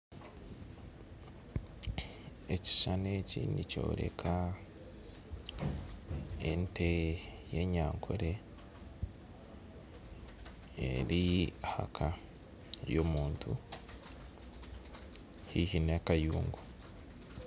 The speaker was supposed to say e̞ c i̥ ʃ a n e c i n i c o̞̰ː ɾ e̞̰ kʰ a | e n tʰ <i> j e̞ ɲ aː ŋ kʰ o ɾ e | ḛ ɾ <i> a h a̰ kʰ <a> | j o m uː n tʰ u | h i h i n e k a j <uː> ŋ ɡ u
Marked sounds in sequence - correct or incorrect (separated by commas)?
incorrect, correct, correct, correct